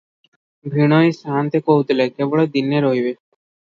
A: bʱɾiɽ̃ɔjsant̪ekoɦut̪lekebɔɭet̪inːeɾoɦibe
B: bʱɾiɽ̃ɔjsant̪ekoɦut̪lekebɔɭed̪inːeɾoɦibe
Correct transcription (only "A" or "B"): B